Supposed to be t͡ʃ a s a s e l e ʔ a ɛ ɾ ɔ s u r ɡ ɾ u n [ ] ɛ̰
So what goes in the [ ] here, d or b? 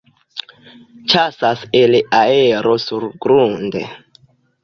d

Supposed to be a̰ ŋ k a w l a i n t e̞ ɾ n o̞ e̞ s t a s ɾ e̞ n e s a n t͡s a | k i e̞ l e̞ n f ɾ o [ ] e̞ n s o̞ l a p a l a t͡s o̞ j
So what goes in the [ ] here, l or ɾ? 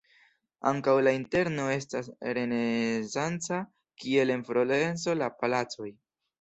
l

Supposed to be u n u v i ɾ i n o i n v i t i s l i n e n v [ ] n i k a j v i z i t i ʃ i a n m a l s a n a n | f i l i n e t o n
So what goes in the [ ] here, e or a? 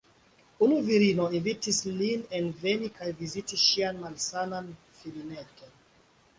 e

